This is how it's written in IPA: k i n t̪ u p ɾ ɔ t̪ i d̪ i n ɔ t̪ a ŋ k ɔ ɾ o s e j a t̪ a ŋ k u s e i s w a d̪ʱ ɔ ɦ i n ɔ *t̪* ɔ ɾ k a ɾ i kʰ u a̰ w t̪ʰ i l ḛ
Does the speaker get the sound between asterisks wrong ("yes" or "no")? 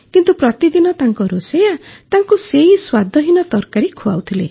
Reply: no